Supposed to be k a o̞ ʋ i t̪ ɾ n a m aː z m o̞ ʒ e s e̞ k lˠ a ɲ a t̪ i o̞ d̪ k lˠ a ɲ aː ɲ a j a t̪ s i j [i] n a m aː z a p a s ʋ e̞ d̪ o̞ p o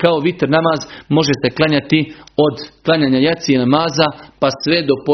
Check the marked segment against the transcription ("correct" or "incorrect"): incorrect